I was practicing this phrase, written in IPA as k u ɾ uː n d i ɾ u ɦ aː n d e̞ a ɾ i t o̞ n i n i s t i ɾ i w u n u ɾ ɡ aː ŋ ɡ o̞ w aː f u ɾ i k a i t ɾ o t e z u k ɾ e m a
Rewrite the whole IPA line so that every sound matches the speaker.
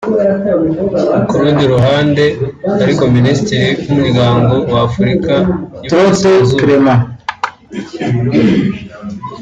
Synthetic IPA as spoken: k u ɾ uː n d i ɾ u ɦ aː n d e̞ a ɾ i k o̞ m i n i s t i ɾ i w u m u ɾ ɡ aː ŋ ɡ o̞ w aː f u ɾ i k a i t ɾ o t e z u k ɾ e m a